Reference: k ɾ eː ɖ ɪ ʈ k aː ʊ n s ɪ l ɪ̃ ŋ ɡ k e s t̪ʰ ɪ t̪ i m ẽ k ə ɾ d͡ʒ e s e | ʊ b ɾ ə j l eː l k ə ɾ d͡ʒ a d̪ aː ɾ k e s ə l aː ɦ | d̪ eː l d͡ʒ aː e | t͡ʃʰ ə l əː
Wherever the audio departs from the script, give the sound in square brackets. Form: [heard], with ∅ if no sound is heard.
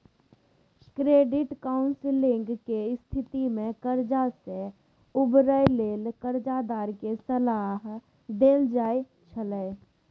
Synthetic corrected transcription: k ɾ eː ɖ ɪ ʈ k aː ʊ n s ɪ l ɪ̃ ŋ ɡ k e s t̪ʰ ɪ t̪ i m ẽ k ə ɾ d͡ʒ [a] s e | ʊ b ɾ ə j l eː l k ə ɾ d͡ʒ a d̪ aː ɾ k e s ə l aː ɦ | d̪ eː l d͡ʒ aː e | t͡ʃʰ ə l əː